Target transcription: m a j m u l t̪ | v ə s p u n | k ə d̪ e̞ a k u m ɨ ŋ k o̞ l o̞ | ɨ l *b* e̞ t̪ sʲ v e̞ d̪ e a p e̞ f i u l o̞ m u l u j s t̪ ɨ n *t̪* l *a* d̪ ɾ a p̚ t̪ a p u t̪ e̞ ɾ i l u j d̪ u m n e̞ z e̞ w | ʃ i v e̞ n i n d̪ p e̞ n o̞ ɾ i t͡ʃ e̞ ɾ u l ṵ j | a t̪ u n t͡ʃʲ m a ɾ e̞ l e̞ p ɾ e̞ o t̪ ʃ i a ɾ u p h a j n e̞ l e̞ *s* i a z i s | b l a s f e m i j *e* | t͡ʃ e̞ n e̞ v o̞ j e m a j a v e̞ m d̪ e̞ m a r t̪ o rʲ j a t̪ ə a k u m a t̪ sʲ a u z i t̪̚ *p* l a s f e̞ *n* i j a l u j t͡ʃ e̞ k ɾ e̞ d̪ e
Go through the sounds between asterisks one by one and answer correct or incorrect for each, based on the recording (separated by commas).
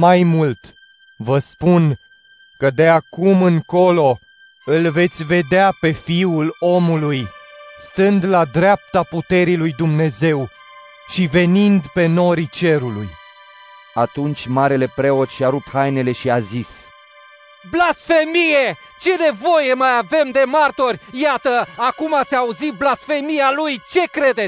incorrect, incorrect, correct, incorrect, correct, incorrect, incorrect